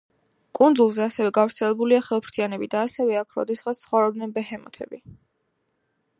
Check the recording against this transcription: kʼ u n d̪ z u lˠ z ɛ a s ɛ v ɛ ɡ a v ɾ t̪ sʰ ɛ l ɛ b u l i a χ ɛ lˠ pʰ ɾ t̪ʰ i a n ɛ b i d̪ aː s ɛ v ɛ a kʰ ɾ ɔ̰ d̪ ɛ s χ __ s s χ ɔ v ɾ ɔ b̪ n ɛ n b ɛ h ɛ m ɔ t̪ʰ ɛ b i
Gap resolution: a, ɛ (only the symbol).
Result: a